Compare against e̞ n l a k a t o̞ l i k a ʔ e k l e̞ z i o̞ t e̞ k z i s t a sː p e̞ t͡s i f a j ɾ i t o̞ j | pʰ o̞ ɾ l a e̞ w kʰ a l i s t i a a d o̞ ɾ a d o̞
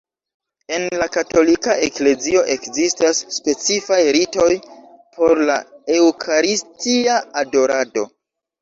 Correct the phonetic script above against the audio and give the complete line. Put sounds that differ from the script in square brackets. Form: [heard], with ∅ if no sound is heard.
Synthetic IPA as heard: e̞ n l a k a t o̞ l i k a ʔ e k l e̞ z i o̞ [ʔ] e̞ k z i s t a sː p e̞ t͡s i f a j ɾ i t o̞ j | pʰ o̞ ɾ l a e̞ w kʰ a [ɾ] i s t i a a d o̞ ɾ a d o̞